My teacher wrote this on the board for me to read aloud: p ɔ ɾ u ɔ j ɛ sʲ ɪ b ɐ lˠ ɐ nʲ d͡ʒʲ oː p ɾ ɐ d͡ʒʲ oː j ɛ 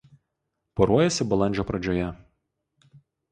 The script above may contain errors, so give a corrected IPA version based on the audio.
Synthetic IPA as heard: p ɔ ɾ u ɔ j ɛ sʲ ɪ b ɐ lˠ ɐ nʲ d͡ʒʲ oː p ɾ ɐ d͡ʒʲ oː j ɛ